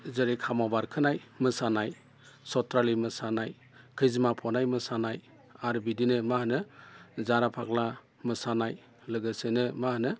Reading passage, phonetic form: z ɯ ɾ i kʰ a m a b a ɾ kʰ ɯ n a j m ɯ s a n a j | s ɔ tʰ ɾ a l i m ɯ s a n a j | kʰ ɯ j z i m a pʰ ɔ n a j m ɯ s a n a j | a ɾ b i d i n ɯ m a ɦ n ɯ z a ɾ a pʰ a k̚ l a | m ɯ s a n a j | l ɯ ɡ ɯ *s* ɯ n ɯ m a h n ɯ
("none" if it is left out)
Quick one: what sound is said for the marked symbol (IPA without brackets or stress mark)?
s